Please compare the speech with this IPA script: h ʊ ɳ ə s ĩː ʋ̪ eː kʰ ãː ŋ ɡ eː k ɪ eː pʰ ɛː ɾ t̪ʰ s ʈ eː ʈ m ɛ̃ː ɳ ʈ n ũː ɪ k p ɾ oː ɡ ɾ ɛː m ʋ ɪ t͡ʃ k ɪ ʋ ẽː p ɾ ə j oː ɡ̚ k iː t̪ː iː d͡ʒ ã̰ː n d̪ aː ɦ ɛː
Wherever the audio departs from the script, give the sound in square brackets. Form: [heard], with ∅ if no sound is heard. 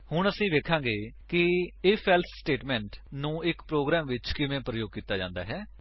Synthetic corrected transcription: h ʊ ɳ ə s ĩː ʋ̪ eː kʰ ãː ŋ ɡ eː k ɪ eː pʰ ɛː [l] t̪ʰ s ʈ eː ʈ m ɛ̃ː ɳ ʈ n ũː ɪ k p ɾ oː ɡ ɾ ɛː m ʋ ɪ t͡ʃ k ɪ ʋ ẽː p ɾ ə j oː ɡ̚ k iː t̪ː [aː] d͡ʒ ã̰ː n d̪ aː ɦ ɛː